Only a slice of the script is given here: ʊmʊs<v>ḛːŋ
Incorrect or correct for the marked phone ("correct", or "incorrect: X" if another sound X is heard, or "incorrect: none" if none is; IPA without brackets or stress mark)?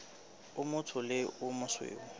incorrect: w